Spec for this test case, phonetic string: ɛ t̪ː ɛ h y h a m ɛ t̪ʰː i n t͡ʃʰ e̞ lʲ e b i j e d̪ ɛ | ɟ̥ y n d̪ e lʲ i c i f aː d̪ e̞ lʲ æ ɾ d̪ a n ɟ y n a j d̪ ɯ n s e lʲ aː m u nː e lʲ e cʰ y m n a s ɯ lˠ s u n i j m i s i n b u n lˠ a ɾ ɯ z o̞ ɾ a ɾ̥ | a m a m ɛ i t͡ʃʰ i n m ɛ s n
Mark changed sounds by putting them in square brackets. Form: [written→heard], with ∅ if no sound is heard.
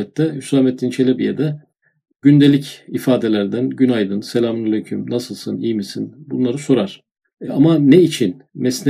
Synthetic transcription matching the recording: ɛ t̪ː ɛ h y [h→s] a m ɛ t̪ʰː i n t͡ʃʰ e̞ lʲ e b i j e d̪ ɛ | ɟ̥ y n d̪ e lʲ i c i f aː d̪ e̞ lʲ æ ɾ d̪ [a→æ] n ɟ y n a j d̪ ɯ n s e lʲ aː m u [nː→n] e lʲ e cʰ y m n a s ɯ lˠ s [u→ɯ] n i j m i s i n b u n lˠ a ɾ ɯ [z→s] o̞ ɾ a ɾ̥ | a m a [m→n] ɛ i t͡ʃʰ i n m ɛ s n